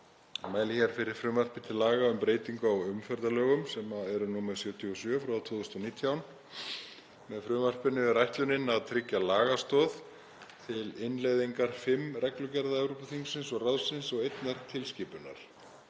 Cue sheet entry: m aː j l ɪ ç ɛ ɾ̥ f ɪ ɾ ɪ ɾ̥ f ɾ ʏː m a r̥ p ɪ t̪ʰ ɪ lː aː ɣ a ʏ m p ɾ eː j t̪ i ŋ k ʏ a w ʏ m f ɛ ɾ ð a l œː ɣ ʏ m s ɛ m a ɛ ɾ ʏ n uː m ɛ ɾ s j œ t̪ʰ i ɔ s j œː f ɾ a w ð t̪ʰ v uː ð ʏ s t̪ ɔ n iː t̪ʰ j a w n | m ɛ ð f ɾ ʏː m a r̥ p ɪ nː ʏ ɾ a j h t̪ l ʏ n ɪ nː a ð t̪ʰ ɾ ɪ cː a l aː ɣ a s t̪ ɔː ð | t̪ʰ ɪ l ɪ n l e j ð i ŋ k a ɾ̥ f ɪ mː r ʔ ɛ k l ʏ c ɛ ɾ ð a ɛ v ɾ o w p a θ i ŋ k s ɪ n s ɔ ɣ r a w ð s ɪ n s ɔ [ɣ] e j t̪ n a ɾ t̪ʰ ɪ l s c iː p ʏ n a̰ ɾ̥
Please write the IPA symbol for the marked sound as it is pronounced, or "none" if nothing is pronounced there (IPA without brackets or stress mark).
ɣ